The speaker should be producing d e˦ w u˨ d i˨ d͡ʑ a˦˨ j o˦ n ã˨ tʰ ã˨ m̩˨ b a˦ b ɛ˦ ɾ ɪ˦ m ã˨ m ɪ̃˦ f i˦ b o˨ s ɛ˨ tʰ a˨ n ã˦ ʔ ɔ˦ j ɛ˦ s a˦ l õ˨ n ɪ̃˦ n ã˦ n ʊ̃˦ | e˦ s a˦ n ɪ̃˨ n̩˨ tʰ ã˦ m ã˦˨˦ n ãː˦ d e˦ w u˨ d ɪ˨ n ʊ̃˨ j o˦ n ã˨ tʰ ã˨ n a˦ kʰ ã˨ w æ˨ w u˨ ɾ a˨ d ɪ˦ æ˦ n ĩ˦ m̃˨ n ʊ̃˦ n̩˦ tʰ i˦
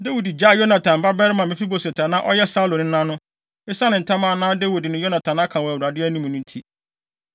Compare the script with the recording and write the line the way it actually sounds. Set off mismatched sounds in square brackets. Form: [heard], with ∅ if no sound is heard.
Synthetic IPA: d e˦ w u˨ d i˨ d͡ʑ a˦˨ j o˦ n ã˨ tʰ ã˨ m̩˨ b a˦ b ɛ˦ ɾ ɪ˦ m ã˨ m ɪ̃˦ f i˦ b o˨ s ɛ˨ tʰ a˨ n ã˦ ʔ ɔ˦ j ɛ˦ s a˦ l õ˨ n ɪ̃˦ n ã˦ n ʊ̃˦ | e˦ s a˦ n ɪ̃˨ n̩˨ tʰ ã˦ m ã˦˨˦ n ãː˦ d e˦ w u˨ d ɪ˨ n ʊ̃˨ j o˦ n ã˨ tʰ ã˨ n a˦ kʰ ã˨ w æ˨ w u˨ ɾ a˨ d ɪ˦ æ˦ n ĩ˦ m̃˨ n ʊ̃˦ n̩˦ tʰ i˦